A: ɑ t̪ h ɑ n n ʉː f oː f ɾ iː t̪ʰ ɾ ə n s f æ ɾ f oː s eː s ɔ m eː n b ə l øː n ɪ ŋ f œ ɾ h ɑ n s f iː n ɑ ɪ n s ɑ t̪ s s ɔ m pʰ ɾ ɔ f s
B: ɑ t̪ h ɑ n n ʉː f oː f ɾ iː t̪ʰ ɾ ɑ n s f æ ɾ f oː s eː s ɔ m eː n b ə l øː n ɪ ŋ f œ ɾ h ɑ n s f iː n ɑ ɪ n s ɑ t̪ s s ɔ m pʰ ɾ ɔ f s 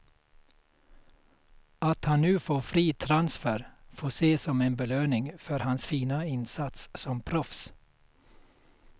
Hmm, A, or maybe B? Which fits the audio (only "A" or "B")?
B